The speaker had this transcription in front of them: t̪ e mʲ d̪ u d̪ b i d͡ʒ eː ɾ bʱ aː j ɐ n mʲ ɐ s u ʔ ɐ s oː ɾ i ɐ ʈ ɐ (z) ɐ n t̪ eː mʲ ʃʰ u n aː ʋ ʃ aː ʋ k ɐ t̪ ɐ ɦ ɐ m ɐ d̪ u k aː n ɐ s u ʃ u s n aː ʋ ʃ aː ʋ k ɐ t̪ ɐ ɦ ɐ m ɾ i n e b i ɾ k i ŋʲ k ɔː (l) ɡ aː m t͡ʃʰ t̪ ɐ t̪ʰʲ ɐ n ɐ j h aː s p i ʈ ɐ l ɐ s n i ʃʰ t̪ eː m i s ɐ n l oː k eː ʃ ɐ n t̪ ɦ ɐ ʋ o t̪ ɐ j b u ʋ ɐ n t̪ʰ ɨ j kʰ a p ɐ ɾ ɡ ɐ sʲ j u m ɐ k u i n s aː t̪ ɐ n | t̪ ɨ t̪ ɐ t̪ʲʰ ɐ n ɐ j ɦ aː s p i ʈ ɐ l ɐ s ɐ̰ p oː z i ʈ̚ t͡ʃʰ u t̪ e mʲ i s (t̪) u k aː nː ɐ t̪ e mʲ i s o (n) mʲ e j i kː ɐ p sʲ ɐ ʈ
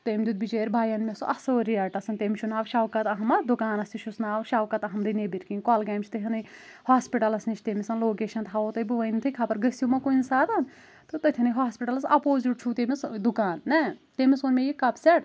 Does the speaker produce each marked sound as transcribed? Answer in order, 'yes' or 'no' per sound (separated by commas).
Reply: no, yes, no, yes